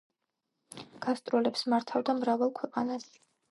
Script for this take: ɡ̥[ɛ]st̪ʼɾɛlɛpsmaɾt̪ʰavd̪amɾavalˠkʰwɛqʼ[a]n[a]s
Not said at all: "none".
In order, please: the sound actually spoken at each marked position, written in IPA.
a, a, a

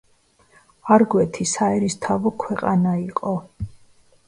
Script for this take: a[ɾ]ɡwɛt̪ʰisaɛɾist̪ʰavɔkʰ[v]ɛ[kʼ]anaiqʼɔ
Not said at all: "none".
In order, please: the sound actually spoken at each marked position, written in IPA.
ɾ, w, qʼ

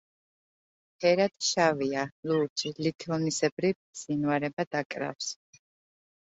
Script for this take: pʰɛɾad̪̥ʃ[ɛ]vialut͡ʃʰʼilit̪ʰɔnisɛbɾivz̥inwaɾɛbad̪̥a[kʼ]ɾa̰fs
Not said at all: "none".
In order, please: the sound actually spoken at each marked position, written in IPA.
a, kʼ

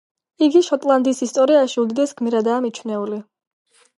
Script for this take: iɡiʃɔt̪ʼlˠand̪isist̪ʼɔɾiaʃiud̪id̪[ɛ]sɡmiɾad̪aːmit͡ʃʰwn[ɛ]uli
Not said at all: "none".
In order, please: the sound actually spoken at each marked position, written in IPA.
ɛ, ɛ

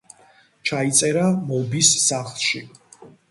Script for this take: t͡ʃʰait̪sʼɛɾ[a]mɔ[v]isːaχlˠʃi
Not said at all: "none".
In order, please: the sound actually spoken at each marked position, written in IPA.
a, b

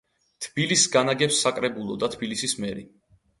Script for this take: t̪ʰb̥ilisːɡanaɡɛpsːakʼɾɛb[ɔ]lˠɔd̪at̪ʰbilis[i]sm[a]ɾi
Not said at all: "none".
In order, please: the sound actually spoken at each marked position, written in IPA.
u, i, ɛ

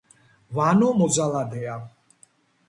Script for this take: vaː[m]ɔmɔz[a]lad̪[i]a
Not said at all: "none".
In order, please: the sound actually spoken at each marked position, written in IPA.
n, a, ɛ

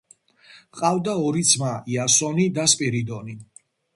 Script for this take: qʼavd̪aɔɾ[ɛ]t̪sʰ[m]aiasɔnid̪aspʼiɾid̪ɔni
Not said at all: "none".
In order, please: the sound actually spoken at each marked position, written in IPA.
i, m

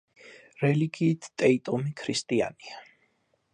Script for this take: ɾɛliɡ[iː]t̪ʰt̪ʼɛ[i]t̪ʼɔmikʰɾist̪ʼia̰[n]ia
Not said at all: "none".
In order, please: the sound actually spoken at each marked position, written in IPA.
iː, i, n

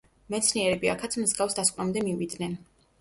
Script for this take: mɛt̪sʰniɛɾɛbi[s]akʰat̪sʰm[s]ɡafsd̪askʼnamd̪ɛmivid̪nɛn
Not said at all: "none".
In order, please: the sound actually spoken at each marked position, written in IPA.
none, z

